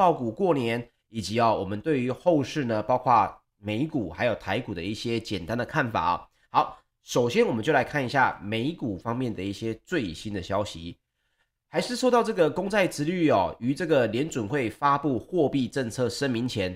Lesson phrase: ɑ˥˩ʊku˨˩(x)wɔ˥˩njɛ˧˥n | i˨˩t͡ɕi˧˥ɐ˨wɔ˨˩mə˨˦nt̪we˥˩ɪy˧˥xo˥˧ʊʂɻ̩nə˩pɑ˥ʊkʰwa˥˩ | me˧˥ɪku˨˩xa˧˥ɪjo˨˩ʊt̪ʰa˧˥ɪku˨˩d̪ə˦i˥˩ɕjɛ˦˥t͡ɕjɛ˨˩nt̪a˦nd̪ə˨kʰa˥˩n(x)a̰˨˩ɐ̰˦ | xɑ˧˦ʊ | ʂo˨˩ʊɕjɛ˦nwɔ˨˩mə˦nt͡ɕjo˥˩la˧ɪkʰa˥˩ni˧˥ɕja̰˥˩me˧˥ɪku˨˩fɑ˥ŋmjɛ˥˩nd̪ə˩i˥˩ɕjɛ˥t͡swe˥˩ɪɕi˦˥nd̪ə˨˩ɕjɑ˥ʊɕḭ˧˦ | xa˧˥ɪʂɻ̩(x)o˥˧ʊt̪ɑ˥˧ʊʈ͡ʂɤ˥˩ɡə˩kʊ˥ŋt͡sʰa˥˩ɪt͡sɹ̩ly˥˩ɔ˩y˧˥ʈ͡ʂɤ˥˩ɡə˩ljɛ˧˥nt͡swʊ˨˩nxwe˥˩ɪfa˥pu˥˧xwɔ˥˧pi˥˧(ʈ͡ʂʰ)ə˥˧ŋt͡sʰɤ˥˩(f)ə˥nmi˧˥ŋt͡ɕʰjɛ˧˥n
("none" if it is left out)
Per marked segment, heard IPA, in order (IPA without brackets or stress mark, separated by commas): k, f, ʂ, ʈ͡ʂ, ʂ